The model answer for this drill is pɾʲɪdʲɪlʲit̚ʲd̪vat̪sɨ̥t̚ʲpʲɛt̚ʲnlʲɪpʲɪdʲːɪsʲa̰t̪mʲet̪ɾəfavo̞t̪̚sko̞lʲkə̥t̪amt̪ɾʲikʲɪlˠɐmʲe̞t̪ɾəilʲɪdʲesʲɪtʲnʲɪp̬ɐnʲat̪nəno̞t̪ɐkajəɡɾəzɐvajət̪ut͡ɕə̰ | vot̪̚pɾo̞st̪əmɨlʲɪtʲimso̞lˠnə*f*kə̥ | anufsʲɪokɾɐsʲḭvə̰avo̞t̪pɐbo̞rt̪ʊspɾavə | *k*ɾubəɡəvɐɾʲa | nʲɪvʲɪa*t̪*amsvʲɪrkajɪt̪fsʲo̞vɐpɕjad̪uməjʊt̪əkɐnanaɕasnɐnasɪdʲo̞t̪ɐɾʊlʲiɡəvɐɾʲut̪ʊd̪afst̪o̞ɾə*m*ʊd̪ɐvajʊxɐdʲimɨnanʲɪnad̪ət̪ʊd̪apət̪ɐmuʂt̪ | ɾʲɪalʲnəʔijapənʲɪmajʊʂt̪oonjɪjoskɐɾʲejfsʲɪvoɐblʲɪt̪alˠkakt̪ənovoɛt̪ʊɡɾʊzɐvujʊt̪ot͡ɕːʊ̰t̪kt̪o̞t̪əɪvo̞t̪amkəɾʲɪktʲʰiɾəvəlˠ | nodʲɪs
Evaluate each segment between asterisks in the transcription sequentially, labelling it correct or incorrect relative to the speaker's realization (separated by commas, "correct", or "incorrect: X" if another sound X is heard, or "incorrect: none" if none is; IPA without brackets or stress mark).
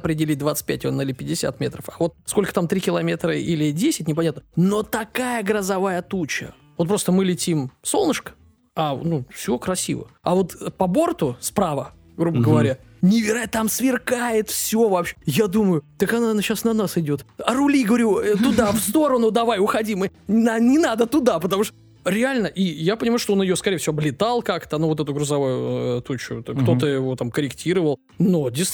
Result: incorrect: ʂ, incorrect: ɡ, correct, incorrect: n